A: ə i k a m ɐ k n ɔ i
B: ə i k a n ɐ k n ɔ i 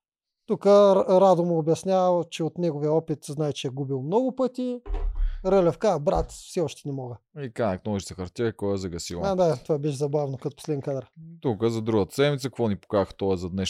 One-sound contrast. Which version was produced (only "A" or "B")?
B